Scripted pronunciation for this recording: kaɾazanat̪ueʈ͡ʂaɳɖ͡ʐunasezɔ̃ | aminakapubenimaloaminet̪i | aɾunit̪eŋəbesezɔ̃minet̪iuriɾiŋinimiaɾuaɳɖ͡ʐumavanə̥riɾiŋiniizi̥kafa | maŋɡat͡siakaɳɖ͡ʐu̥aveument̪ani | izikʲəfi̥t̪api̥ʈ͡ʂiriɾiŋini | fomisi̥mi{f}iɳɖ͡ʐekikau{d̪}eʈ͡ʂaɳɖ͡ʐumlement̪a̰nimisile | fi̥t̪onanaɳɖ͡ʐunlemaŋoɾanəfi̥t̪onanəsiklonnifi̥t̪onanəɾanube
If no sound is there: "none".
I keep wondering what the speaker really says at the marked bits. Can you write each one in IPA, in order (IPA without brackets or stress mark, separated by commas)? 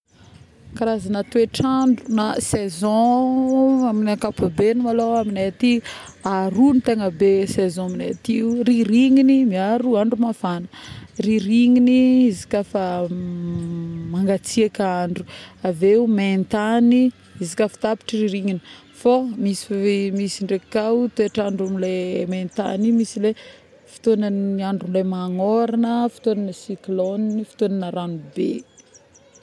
s, t̪